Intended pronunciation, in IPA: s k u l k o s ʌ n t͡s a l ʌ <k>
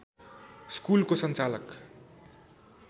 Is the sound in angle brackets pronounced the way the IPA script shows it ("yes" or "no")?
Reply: yes